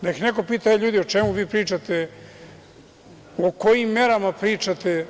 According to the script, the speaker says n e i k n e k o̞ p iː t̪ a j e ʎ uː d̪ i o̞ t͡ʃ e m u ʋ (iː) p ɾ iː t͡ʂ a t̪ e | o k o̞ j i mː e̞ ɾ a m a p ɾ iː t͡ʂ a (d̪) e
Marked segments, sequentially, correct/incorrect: correct, incorrect: t̪

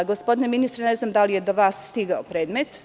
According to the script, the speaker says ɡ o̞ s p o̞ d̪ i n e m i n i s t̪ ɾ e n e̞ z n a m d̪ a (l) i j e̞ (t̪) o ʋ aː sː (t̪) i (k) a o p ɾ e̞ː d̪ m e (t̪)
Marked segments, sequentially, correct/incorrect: correct, incorrect: d̪, correct, incorrect: ɡ, correct

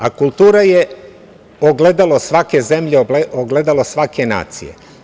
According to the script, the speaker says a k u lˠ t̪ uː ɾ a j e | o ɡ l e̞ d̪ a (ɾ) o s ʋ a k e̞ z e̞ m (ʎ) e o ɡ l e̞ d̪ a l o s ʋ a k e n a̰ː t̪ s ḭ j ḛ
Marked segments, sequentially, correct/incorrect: incorrect: l, correct

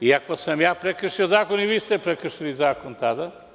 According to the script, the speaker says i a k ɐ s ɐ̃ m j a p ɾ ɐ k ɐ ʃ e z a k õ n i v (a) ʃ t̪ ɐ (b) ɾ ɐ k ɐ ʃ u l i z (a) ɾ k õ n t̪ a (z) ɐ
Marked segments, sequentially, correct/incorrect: incorrect: i, incorrect: p, correct, incorrect: ð

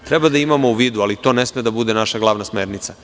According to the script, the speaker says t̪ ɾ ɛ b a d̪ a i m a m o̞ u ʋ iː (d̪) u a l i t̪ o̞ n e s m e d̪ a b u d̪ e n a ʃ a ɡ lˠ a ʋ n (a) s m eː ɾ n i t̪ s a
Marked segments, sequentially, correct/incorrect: correct, correct

